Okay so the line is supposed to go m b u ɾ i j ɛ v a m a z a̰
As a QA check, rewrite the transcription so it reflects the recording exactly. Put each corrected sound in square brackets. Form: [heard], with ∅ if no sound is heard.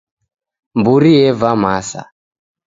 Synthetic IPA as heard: m b u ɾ i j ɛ v a m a [s] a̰